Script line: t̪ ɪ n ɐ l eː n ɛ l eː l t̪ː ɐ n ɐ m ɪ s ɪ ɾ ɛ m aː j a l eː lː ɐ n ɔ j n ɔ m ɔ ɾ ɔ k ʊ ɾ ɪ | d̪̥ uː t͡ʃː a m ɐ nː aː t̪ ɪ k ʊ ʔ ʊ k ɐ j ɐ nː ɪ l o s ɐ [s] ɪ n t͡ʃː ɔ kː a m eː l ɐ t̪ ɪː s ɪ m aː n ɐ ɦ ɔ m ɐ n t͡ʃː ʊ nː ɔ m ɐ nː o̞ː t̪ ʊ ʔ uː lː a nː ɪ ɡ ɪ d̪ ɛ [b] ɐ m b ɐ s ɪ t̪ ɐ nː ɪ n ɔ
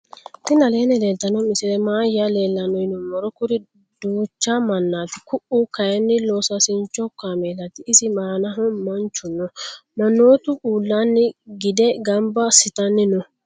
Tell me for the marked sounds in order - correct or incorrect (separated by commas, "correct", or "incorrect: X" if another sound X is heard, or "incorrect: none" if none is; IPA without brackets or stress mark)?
correct, incorrect: ɡ